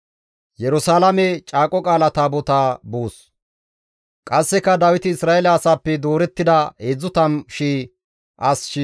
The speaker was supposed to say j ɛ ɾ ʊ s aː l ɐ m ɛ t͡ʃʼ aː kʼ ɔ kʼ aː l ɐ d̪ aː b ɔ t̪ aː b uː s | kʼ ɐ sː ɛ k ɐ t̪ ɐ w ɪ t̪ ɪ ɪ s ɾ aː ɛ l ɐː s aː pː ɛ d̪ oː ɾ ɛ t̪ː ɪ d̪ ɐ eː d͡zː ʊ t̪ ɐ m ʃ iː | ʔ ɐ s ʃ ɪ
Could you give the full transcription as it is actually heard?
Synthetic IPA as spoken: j ɛ ɾ ʊ s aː l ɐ m ɛ t͡ʃʼ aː kʼ ɔ kʼ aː l ɐ t̪ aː b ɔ t̪ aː b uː s | kʼ ɐ sː ɛ k ɐ d̪ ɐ w ɪ t̪ ɪ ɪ s ɾ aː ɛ l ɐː s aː pː ɛ d̪ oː ɾ ɛ t̪ː ɪ d̪ ɐ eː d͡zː ʊ t̪ ɐ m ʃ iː | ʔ ɐ s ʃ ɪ